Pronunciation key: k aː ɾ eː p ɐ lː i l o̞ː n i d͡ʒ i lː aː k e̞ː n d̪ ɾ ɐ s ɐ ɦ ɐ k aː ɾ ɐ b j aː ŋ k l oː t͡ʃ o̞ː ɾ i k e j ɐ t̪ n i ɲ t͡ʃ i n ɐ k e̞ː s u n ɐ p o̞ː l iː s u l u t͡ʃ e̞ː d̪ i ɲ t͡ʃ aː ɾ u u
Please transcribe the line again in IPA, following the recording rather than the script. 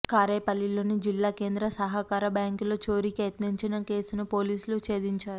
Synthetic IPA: k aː ɾ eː p ɐ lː i l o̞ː n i d͡ʒ i lː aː k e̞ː n d̪ ɾ ɐ s ɐ ɦ ɐ k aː ɾ ɐ b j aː ŋ k l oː t͡ʃ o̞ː ɾ i k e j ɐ t̪ n i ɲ t͡ʃ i n ɐ k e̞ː s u n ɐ p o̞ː l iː s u l u t͡ʃ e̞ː d̪ i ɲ t͡ʃ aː ɾ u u